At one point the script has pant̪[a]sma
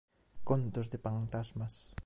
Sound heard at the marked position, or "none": a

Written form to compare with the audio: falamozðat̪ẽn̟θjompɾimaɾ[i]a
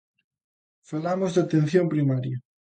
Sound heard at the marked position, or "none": j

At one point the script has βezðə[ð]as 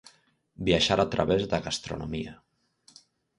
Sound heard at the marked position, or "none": ɣ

